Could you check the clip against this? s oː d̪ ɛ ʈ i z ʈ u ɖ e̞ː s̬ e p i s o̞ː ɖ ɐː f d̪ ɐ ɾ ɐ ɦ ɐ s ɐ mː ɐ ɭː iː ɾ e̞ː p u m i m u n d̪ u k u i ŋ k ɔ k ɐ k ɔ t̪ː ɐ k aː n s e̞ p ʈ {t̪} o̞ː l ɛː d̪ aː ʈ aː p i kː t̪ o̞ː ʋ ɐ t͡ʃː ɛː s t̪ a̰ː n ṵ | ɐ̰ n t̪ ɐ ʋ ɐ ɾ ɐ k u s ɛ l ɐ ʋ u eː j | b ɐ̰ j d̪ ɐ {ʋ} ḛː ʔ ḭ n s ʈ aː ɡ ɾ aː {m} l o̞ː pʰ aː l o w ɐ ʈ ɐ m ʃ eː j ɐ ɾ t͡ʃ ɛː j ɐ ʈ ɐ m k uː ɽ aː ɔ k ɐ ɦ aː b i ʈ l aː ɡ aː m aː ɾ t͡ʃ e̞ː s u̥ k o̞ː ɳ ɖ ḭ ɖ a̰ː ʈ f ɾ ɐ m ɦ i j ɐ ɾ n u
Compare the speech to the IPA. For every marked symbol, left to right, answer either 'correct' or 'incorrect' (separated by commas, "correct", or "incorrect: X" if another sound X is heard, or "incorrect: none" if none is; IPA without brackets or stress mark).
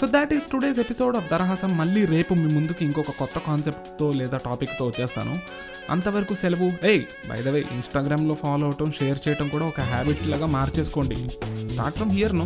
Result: correct, correct, correct